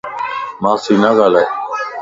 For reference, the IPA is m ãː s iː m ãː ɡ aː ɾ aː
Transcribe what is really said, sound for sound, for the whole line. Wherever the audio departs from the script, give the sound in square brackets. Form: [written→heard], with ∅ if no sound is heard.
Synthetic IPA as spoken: m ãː s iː [m→n] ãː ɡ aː [ɾ→l] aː